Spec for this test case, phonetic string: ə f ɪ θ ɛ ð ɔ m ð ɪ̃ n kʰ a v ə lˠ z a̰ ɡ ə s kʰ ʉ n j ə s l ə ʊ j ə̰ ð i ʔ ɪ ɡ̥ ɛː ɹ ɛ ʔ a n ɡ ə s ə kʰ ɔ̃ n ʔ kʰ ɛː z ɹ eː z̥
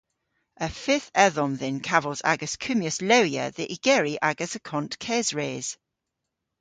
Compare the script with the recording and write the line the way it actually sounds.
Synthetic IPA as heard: ə f ɪ θ ɛ ð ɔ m ð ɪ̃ n kʰ a v ə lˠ z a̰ ɡ ə s kʰ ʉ m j ə s l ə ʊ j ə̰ ð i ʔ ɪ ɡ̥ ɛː ɹ i ʔ a ɡ ə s ə kʰ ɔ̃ n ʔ kʰ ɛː z ɹ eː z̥